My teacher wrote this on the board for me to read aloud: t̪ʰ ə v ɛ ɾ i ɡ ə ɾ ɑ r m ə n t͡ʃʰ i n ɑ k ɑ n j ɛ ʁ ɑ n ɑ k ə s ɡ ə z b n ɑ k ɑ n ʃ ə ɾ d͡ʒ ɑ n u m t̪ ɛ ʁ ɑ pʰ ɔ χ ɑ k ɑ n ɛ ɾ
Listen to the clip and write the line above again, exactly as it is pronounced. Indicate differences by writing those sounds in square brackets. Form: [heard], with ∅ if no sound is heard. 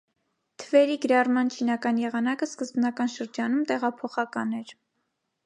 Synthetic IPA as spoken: t̪ʰ ə v ɛ ɾ i ɡ ə ɾ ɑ r m [ɑ] n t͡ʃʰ i n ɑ k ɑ n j ɛ ʁ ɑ n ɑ k ə s [k] ə z b n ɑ k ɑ n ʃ ə ɾ d͡ʒ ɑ n u m t̪ ɛ ʁ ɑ pʰ ɔ χ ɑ k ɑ n ɛ ɾ